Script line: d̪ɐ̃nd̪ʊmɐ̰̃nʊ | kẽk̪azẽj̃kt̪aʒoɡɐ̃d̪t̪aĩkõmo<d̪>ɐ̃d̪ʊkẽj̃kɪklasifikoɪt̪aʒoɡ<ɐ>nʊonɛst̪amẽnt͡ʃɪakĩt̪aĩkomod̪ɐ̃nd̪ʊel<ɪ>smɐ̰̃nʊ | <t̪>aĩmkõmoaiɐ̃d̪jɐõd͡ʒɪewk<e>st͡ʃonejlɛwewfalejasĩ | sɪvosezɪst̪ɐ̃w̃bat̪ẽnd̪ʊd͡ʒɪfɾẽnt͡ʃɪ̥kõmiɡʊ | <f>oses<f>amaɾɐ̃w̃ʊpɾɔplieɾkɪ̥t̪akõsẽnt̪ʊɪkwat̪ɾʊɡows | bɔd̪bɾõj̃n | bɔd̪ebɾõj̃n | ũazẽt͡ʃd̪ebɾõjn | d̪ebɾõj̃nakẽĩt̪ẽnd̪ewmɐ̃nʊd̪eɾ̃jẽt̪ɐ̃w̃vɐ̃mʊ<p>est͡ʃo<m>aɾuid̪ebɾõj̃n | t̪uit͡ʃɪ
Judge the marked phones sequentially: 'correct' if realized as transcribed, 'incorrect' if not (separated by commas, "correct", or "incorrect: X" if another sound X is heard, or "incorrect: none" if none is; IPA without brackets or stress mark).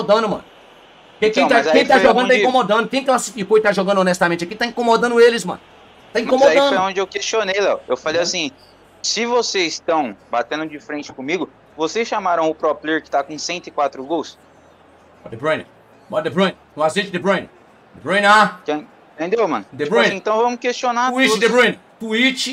correct, incorrect: ɐ̃, correct, correct, correct, incorrect: v, incorrect: ʃ, incorrect: k, incorrect: n